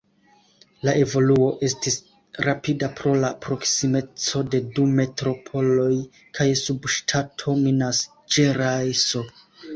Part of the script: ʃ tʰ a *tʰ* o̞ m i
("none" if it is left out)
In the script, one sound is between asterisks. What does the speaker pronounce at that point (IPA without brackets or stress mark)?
tʰ